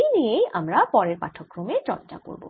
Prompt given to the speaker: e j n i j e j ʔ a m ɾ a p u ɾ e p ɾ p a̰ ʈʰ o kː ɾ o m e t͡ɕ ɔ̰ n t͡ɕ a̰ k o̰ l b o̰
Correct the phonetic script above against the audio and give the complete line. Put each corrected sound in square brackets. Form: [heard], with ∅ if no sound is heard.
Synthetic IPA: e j n i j e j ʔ a m ɾ a p [ɔ] ɾ e [∅] ɾ p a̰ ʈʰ o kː ɾ o m e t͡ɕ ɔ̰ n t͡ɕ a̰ k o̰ [ɾ] b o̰